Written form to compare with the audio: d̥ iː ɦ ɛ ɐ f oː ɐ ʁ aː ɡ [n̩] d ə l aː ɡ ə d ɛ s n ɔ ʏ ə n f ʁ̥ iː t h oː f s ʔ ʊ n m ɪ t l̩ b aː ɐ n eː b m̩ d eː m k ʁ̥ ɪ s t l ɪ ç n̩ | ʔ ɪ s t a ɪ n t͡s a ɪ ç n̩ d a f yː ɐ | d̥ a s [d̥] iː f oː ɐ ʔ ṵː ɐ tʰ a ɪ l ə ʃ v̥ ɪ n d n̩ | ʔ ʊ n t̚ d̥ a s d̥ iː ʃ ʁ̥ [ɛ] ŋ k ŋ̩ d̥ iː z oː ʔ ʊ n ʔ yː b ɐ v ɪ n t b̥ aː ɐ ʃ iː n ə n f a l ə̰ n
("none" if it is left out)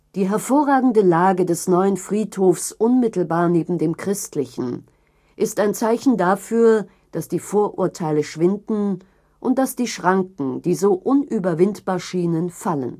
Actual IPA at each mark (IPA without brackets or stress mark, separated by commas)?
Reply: ŋ̩, d̥, a